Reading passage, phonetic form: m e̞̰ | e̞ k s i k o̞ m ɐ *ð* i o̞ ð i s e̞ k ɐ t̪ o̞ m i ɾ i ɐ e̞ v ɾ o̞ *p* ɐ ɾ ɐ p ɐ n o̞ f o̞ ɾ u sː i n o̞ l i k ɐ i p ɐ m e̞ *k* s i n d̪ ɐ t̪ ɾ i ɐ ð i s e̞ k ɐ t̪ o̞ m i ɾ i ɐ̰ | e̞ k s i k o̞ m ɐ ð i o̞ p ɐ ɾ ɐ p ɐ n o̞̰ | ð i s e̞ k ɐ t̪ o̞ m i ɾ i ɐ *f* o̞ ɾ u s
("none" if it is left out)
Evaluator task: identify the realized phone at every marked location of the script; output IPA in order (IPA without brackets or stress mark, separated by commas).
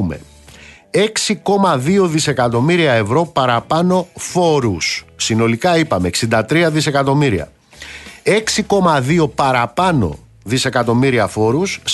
ð, p, k, f